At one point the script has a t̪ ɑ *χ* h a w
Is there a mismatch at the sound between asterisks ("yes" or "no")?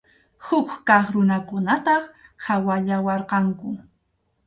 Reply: no